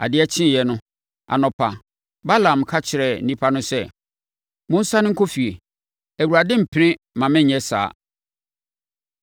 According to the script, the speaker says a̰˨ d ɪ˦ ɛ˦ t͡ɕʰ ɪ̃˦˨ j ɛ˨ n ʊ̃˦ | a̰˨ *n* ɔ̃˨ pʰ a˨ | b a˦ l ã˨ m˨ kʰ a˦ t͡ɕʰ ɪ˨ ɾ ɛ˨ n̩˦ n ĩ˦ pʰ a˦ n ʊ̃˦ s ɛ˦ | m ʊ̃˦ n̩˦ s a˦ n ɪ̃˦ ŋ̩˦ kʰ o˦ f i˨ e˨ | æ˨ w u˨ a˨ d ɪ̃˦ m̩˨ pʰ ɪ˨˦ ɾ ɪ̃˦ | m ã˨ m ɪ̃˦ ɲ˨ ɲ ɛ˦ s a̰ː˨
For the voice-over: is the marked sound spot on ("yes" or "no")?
yes